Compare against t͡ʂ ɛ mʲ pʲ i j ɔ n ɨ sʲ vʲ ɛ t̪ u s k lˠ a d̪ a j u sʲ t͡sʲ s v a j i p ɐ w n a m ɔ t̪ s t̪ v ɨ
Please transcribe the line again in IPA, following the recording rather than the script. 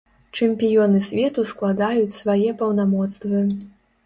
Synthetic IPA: t͡ʂ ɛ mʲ pʲ i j ɔ n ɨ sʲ vʲ ɛ t̪ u s k lˠ a d̪ a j u t͡sʲ s v a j ɛ p ɐ w n a m ɔ t̪ s t̪ v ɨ